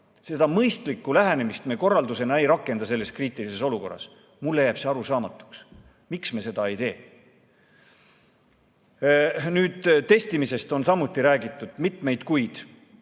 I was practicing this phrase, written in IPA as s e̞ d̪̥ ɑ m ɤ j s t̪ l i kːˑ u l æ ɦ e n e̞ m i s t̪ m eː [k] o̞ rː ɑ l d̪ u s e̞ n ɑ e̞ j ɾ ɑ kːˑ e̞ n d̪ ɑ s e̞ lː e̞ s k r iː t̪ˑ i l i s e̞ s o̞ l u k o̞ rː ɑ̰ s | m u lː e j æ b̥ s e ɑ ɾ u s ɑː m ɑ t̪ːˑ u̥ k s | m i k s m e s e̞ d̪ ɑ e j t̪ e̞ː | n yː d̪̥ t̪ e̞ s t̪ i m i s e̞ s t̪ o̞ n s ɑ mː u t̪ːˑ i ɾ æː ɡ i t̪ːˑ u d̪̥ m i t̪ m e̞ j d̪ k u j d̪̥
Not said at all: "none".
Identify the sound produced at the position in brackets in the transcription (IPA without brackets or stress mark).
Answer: k